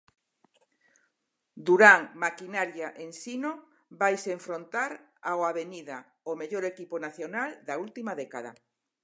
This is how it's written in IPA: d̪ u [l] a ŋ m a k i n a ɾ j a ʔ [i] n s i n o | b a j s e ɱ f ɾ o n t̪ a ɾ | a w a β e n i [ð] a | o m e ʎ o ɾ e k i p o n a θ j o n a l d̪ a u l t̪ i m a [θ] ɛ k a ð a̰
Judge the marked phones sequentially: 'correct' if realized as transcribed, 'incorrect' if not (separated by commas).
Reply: incorrect, incorrect, correct, incorrect